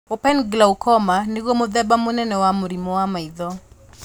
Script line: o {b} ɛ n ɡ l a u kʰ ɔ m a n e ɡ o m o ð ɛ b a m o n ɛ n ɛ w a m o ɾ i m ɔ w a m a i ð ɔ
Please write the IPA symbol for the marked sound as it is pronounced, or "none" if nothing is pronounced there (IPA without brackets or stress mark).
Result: p